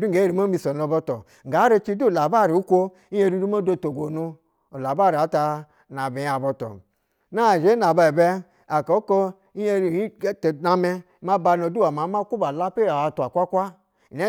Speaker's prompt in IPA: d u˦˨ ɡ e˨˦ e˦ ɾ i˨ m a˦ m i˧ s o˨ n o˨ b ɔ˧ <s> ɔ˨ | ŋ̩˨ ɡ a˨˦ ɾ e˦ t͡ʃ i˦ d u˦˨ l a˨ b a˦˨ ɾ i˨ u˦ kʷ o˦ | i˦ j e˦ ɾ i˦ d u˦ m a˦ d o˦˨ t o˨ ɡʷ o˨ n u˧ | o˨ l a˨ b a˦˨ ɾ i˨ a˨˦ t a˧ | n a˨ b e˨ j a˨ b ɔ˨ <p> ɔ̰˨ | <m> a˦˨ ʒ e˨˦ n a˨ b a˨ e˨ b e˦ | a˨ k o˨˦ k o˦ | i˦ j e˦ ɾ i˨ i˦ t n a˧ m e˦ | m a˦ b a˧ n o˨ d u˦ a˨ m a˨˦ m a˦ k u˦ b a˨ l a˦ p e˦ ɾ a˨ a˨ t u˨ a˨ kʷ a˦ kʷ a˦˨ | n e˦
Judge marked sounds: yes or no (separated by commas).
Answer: no, no, no